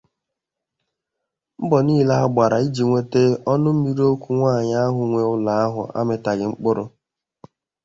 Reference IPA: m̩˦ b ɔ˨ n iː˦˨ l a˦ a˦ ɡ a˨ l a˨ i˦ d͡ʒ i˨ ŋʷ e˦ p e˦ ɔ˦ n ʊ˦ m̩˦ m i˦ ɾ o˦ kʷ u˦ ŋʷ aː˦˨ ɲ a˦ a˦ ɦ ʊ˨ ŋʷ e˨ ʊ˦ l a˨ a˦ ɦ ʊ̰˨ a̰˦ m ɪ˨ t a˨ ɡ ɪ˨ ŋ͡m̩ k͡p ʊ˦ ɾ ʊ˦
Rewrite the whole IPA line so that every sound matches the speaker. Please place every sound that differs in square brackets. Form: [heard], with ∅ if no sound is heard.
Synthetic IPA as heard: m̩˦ b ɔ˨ n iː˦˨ l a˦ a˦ [ɡ͡b] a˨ [ɾ] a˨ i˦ d͡ʒ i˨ ŋʷ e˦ [t] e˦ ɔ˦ n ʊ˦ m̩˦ m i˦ ɾ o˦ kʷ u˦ ŋʷ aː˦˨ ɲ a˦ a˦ ɦ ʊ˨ ŋʷ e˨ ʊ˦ l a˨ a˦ ɦ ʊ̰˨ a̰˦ m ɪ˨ t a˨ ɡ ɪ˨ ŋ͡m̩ k͡p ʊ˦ ɾ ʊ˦